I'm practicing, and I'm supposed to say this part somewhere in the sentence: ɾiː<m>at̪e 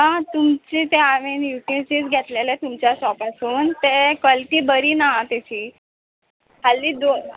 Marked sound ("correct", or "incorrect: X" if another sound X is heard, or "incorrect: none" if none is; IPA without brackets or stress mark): incorrect: n